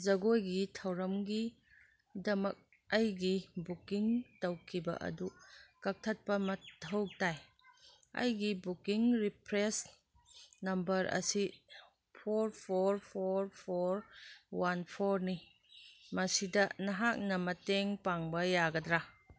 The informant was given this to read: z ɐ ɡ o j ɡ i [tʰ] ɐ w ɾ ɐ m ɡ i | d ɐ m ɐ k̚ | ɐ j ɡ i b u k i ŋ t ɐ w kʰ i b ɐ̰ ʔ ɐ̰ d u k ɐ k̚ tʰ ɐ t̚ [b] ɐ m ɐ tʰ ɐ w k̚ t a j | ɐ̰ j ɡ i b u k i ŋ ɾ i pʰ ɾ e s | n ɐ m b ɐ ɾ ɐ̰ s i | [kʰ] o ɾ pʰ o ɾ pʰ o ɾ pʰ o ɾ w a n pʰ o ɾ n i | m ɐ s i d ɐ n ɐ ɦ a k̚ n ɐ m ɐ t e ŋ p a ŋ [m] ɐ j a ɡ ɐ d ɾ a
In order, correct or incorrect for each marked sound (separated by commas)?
correct, incorrect, incorrect, incorrect